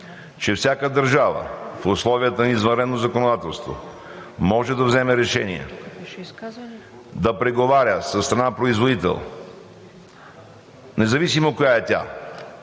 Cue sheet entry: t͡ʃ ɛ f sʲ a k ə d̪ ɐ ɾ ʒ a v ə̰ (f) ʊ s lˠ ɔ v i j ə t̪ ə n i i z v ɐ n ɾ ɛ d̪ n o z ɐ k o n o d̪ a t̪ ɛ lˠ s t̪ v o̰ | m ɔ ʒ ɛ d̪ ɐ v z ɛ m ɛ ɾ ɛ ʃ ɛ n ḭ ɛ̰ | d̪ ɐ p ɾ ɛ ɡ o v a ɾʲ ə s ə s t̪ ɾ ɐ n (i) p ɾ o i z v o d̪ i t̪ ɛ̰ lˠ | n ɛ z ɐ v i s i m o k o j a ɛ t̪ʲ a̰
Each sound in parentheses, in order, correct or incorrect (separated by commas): correct, incorrect